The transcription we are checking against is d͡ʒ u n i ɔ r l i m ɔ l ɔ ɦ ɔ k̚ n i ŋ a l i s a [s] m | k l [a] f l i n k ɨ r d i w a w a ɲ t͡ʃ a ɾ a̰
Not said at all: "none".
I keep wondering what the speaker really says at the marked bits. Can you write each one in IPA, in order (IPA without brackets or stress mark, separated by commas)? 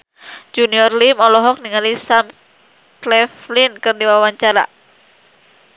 none, ɛ